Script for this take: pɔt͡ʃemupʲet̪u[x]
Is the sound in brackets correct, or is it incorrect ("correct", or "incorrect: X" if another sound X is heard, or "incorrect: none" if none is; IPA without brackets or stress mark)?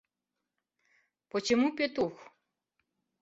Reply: correct